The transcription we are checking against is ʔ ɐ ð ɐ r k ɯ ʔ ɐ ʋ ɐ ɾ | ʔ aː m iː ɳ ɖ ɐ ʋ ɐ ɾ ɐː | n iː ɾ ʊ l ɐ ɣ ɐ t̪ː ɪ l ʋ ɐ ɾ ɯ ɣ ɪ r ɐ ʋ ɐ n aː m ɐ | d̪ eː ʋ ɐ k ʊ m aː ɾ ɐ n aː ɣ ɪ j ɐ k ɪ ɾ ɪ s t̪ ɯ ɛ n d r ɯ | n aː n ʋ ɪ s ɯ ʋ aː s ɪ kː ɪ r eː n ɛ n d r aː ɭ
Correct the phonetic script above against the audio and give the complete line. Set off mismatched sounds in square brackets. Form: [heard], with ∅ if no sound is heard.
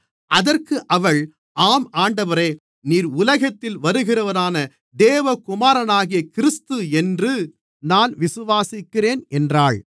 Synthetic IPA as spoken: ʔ ɐ ð ɐ r k ɯ ʔ ɐ ʋ ɐ [ɭ] | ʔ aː m [aː] ɳ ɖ ɐ ʋ ɐ ɾ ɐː | n iː ɾ ʊ l ɐ ɣ ɐ t̪ː ɪ l ʋ ɐ ɾ ɯ ɣ ɪ r ɐ ʋ ɐ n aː [n] ɐ | d̪ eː ʋ ɐ k ʊ m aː ɾ ɐ n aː ɣ ɪ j ɐ k ɪ ɾ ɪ s t̪ ɯ ɛ n d r ɯ | n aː n ʋ ɪ s ɯ ʋ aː s ɪ kː ɪ r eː n ɛ n d r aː ɭ